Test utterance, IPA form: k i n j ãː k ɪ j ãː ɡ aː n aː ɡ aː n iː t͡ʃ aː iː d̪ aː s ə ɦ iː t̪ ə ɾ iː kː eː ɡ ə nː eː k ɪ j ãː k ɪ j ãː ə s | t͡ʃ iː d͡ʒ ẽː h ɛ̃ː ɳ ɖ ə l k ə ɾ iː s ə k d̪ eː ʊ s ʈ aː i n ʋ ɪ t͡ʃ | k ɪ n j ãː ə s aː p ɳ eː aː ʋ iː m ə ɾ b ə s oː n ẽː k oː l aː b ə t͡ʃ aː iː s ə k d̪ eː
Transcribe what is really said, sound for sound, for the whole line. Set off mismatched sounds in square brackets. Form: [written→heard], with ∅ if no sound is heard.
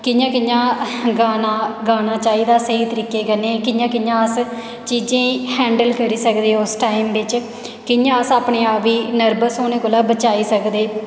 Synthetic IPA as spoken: k [i→ɪ] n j ãː k ɪ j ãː ɡ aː n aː ɡ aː n [iː→aː] t͡ʃ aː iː d̪ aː s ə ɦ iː t̪ ə ɾ iː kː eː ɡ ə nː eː k ɪ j ãː k ɪ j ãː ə s | t͡ʃ iː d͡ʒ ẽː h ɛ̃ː ɳ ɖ ə l k ə ɾ iː s ə k d̪ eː ʊ s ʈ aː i [n→m] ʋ ɪ t͡ʃ | k ɪ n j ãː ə s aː p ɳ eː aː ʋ iː [m→n] ə ɾ b ə s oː n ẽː k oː l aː b ə t͡ʃ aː iː s ə k d̪ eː